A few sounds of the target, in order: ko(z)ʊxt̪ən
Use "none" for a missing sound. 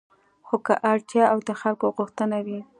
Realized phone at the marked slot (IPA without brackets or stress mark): ɣ